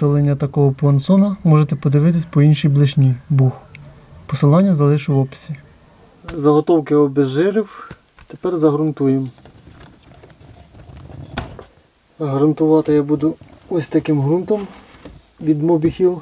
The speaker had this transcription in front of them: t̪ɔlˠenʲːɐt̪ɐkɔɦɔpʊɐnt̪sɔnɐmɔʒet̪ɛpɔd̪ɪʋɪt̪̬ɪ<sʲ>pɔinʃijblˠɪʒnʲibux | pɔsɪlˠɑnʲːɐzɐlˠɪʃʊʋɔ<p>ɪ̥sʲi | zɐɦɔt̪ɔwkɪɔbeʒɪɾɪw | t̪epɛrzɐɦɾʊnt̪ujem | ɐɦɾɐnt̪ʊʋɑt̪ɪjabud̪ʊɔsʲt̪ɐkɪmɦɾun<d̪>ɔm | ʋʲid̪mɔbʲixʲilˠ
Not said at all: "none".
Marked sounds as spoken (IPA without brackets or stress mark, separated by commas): sʲ, p, t̪